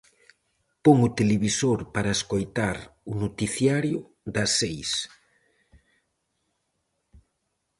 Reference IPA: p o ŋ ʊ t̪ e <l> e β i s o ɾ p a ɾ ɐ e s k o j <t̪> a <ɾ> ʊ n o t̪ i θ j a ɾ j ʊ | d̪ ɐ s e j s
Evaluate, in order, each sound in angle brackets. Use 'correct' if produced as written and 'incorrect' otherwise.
correct, correct, correct

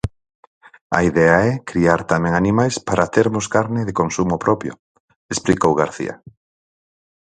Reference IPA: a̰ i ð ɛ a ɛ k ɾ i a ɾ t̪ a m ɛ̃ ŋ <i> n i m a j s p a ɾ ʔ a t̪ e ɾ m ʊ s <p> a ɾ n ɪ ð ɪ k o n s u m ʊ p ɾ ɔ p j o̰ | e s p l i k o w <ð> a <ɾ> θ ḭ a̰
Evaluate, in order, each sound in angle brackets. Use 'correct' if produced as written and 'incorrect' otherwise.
incorrect, incorrect, incorrect, correct

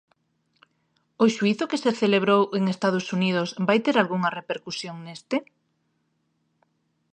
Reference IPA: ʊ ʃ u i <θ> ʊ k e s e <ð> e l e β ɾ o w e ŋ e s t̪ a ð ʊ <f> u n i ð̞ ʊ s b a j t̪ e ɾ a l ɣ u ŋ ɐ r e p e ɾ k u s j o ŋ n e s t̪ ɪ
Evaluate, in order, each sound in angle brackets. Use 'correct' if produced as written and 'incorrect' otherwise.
correct, incorrect, incorrect

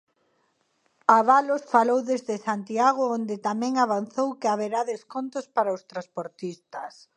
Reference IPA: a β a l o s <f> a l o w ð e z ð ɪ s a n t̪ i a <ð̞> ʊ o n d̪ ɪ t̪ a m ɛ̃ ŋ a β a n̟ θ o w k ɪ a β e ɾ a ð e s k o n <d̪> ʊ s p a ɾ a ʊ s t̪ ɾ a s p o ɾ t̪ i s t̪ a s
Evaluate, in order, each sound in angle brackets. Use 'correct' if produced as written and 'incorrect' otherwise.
correct, incorrect, incorrect

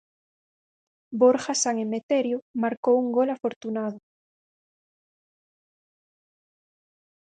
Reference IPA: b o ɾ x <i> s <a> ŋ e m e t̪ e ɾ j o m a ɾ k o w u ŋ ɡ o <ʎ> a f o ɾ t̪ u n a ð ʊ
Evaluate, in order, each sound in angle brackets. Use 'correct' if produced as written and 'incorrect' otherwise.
incorrect, correct, incorrect

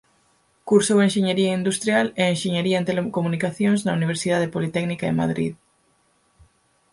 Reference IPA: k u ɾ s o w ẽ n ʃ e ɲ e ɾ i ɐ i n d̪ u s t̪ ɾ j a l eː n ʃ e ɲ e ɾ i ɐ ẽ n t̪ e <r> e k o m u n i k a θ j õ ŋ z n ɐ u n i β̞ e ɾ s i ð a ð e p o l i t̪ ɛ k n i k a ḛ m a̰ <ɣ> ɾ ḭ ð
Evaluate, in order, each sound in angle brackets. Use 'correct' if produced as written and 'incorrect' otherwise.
incorrect, incorrect

